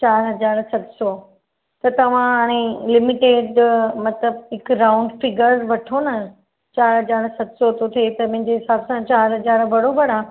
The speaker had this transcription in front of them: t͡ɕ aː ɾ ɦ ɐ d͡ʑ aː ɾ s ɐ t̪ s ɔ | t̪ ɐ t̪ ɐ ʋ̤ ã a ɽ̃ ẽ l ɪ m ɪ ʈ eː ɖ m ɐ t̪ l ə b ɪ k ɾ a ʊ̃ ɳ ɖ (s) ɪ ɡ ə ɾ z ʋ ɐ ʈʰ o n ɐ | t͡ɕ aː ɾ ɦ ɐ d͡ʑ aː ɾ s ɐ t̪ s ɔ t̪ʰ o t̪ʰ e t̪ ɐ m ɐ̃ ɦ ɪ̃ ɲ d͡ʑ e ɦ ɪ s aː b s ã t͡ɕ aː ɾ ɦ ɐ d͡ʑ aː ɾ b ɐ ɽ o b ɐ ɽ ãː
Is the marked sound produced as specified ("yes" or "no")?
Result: no